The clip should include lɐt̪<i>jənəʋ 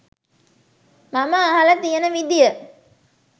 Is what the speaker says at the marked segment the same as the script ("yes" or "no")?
yes